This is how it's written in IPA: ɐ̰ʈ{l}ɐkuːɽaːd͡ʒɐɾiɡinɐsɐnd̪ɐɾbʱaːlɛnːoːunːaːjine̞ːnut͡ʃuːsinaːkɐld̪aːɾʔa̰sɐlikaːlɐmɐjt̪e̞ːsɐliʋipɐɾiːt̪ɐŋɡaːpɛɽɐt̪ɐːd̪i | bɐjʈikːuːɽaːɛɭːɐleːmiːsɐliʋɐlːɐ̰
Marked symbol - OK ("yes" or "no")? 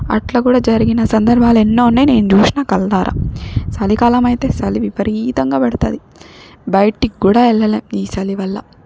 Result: yes